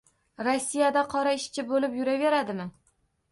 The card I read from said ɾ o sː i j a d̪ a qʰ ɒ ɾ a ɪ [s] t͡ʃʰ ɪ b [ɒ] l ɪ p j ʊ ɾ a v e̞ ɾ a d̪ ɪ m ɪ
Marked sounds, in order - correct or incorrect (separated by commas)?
incorrect, incorrect